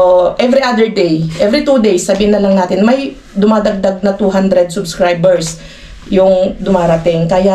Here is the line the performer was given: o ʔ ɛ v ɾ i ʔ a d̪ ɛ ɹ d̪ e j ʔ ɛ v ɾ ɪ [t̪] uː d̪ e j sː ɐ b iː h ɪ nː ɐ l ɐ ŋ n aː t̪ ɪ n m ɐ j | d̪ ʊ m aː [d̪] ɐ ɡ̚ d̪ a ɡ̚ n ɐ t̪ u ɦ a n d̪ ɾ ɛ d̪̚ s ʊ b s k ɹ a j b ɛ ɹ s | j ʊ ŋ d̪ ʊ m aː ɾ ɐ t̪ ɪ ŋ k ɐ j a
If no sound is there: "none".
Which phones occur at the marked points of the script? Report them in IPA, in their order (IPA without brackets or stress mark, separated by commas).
t̪, d̪